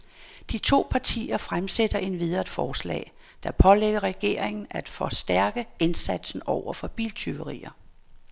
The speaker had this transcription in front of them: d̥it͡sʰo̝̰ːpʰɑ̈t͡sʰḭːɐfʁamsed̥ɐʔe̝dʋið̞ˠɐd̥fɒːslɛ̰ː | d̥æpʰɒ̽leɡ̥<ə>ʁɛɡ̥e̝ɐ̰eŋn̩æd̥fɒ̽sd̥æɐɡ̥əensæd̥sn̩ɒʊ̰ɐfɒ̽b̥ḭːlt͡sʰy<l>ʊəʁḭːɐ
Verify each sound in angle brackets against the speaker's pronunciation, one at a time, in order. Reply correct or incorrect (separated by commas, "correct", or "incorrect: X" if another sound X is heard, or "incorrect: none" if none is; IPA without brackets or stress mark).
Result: incorrect: ɐ, incorrect: none